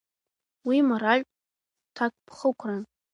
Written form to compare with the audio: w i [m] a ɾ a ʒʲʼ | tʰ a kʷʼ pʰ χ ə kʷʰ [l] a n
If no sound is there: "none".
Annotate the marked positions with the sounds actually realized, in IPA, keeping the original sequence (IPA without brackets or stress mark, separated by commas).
m, r